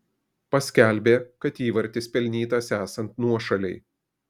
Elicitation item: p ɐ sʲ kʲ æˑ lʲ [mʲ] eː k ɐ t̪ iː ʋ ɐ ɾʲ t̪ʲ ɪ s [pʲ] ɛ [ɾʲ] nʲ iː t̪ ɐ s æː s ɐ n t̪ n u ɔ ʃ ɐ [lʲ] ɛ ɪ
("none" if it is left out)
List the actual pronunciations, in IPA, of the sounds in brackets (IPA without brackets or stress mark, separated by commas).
bʲ, pʲ, lʲ, lʲ